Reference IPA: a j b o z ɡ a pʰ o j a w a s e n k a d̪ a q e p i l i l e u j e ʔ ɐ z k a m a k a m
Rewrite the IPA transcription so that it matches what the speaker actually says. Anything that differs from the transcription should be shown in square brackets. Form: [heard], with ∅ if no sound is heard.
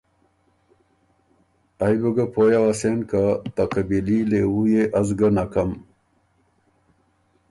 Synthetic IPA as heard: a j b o [∅] ɡ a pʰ o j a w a s e n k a [t̪] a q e [b] i l i l e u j e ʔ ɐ z [ɡ] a [n] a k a m